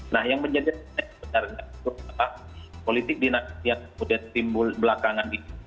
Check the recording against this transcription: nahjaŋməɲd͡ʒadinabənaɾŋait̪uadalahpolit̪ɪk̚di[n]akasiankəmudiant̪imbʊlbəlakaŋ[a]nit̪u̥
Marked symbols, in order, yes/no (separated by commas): yes, yes